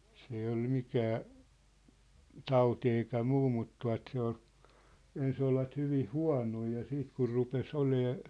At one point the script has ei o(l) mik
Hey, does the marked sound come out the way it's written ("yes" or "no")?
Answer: yes